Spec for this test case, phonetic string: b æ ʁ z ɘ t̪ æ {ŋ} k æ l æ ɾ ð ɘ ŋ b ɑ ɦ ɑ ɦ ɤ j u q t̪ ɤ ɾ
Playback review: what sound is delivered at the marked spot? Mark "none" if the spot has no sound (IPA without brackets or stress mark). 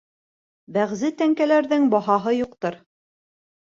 ŋ